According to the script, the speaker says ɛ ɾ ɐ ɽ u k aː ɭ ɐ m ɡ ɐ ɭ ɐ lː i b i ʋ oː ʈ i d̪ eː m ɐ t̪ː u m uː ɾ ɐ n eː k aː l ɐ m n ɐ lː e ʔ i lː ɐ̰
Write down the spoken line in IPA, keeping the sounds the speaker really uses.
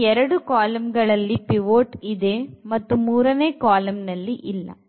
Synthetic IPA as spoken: ɛ ɾ ɐ ɽ u k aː l ɐ m ɡ ɐ ɭ ɐ lː i p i ʋ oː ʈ i d̪ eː m ɐ t̪ː u m uː ɾ ɐ n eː k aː l ɐ m n ɐ lː i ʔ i lː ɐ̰